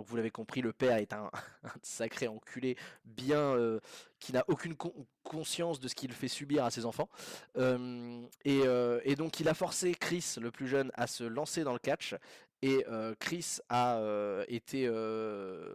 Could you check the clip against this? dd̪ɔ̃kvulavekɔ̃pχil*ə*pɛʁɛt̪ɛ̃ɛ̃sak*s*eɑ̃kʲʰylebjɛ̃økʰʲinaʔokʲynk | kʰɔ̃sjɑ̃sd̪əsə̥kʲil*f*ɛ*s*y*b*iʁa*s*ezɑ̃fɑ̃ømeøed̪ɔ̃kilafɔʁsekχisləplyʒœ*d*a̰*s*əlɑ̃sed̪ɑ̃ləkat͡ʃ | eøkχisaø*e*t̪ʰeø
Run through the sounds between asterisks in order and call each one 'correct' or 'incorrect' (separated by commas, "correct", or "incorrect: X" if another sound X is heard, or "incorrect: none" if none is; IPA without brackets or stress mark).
correct, incorrect: χ, correct, correct, correct, correct, incorrect: n, correct, correct